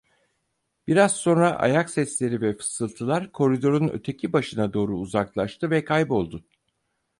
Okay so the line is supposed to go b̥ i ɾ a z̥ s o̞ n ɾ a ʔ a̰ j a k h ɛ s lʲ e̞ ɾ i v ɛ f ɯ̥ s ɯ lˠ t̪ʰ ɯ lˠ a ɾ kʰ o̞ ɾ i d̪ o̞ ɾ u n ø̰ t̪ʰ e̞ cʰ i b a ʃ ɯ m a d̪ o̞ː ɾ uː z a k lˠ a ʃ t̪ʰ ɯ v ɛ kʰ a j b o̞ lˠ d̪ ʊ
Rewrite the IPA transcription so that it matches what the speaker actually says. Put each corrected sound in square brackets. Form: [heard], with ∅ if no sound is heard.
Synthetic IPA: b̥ i ɾ a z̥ s o̞ n ɾ a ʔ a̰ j a k [s] ɛ s lʲ e̞ ɾ i v ɛ f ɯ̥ s ɯ lˠ t̪ʰ ɯ lˠ a ɾ kʰ o̞ ɾ i d̪ o̞ ɾ u n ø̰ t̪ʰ e̞ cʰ i b a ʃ ɯ [n] a d̪ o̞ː ɾ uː z a k lˠ a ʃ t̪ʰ ɯ v ɛ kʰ a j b o̞ lˠ d̪ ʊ